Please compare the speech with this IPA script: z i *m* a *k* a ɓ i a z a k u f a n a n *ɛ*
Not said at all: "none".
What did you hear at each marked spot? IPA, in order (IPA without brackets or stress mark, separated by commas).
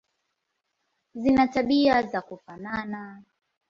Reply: n, t, a